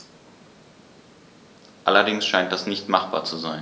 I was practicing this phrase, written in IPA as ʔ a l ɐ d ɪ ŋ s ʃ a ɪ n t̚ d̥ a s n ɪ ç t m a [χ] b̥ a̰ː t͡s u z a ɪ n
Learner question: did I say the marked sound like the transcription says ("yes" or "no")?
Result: yes